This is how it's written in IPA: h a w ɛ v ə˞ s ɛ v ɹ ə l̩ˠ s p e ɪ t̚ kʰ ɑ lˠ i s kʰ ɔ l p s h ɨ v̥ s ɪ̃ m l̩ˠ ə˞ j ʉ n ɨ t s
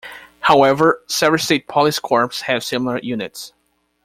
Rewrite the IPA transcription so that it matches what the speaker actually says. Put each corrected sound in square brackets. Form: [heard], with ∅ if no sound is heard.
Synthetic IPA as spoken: h a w ɛ v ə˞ s ɛ v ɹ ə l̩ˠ s [t] e ɪ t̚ [pʰ] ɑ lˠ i s kʰ ɔ [ɹ] p s h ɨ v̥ s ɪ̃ m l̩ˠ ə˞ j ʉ n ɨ t s